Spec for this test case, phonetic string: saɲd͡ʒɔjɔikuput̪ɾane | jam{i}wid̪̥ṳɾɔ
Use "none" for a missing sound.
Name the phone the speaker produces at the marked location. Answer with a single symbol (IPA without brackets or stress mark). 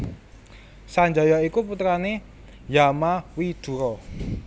a